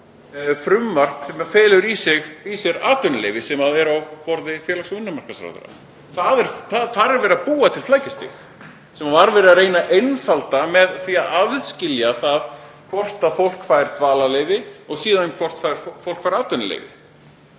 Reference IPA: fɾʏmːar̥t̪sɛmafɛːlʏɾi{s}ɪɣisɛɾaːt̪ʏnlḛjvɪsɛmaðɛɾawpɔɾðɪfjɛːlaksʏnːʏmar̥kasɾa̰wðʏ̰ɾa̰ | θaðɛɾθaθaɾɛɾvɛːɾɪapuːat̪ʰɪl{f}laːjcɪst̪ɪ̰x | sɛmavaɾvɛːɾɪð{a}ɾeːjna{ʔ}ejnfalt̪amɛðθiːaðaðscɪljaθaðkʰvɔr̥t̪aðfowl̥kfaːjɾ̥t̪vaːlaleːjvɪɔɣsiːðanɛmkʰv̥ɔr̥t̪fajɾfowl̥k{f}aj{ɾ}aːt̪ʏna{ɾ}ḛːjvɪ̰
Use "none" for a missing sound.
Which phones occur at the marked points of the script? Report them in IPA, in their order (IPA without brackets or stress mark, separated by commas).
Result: s, f, a, ʔ, f, ɾ, l